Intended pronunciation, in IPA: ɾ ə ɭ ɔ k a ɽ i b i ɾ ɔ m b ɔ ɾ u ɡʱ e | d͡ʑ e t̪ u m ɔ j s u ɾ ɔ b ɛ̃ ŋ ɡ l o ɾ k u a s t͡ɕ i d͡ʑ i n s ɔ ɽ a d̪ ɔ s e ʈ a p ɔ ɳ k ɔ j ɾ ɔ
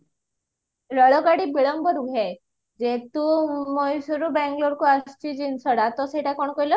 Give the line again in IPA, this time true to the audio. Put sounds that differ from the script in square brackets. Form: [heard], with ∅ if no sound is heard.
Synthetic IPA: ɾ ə ɭ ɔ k a ɽ i b i [ɭ] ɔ m b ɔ ɾ u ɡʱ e | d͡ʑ e t̪ u m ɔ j s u ɾ [u] b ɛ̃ ŋ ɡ l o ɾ k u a s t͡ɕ i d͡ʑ i n s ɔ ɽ a [t̪] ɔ s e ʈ a [k] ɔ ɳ k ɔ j [l] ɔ